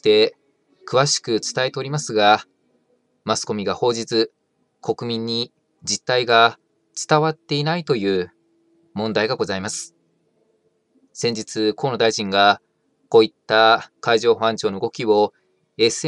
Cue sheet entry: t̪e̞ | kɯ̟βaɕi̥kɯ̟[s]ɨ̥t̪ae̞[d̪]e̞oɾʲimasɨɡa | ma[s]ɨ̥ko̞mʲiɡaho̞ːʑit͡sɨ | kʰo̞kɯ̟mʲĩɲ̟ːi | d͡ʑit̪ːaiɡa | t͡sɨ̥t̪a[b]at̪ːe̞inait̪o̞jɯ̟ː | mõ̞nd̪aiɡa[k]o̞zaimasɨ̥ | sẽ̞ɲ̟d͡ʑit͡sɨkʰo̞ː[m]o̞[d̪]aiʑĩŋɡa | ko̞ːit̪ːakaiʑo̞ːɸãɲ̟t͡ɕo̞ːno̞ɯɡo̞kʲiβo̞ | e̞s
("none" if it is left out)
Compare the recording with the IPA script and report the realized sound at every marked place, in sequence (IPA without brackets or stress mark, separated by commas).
t͡s, t̪, s, β, ɡ, n, d̪